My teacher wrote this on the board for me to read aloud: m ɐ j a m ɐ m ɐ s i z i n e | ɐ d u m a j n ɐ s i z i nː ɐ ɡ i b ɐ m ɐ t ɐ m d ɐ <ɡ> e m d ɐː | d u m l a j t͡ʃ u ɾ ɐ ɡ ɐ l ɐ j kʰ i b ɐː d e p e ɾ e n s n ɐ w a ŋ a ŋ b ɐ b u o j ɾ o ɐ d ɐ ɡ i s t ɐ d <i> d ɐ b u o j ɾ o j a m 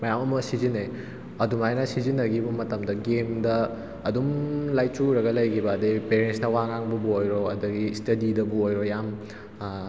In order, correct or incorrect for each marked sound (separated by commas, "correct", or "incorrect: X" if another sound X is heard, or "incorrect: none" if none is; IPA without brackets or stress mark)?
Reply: correct, correct